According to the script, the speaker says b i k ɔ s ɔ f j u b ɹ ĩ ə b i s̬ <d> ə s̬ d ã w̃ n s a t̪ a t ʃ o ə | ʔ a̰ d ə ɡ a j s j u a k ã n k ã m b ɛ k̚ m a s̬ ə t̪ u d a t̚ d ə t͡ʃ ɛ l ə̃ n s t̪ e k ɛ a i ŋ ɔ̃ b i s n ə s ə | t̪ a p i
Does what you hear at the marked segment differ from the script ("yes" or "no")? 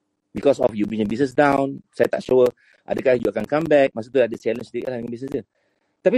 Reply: yes